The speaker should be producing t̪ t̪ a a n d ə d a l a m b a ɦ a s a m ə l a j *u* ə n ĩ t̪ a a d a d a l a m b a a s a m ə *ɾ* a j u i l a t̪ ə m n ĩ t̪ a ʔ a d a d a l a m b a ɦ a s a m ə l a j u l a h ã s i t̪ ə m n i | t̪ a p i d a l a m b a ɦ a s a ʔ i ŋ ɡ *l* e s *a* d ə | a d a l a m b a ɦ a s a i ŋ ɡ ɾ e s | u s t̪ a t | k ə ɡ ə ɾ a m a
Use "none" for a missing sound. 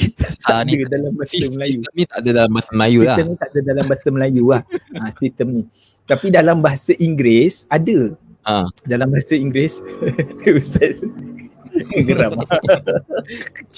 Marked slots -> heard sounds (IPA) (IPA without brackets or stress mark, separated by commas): u, l, ɾ, a